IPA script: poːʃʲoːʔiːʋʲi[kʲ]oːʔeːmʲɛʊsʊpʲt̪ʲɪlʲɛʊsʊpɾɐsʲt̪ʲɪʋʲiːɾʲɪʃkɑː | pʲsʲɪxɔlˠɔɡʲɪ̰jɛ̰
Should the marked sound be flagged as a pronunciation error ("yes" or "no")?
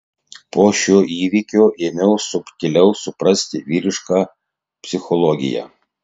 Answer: no